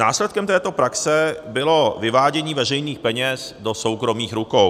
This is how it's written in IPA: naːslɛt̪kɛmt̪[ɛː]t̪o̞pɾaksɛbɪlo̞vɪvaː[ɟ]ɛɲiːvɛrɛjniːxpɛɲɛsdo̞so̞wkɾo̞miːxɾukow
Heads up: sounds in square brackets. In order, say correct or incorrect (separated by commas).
correct, correct